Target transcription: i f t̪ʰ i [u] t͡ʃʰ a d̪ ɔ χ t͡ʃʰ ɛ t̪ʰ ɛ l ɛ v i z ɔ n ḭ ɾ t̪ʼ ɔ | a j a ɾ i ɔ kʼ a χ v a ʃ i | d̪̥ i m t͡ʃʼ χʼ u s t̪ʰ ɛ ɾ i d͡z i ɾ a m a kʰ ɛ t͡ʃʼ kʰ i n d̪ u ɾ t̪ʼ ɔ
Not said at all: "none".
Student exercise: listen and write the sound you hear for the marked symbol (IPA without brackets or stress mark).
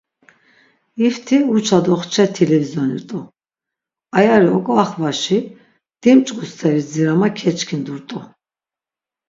u